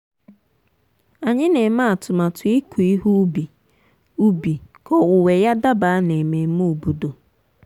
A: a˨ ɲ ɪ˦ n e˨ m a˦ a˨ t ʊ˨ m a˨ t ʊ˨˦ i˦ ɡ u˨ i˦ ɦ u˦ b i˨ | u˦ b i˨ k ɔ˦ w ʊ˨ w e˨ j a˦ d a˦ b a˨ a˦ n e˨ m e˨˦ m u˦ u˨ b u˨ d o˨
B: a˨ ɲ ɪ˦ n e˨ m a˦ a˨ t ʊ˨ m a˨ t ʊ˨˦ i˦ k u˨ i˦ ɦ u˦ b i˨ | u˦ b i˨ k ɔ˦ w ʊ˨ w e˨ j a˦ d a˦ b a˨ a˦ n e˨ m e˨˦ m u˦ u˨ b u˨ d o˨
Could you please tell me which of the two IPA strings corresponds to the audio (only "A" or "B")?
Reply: B